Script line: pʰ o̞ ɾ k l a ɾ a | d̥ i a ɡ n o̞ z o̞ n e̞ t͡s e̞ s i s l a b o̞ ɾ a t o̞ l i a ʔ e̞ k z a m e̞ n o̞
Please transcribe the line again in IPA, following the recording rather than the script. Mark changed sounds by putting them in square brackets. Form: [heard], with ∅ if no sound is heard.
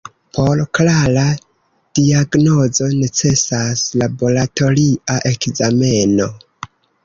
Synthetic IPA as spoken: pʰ o̞ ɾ k l a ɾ a | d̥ i a ɡ n o̞ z o̞ n e̞ t͡s e̞ s [a] s l a b o̞ [l] a t o̞ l i a ʔ e̞ k z a m e̞ n o̞